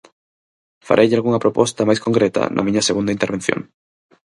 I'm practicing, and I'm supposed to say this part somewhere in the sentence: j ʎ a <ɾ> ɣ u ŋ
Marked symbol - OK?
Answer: no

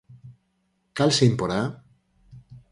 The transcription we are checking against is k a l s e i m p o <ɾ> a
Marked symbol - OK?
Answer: yes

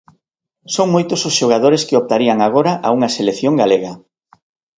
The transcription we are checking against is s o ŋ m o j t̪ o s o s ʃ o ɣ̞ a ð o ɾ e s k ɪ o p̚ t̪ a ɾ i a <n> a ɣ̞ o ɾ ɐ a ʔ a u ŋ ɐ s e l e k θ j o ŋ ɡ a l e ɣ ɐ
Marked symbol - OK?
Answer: no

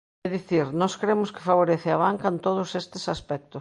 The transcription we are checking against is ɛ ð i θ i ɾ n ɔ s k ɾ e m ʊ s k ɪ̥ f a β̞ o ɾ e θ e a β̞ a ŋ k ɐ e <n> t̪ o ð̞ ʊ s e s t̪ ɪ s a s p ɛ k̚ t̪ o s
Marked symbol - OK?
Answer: yes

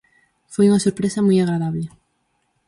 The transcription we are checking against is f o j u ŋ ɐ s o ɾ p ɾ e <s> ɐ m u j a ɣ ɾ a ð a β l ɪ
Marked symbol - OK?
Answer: yes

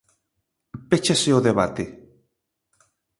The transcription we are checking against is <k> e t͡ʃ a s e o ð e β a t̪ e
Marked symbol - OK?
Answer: no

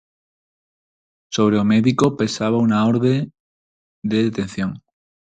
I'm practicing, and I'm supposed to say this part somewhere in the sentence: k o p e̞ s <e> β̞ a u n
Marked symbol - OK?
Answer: no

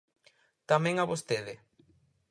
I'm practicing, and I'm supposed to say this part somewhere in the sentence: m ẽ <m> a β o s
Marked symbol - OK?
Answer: no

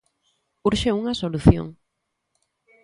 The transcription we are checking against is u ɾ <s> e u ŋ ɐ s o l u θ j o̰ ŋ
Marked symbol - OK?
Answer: no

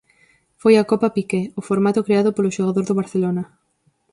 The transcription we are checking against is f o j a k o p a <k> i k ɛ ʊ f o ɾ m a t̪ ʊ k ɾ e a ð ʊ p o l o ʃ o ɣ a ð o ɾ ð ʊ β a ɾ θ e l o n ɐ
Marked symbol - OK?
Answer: no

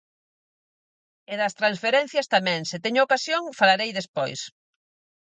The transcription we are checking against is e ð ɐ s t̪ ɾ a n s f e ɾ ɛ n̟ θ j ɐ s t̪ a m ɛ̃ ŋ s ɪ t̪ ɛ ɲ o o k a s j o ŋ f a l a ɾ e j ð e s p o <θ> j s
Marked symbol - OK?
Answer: no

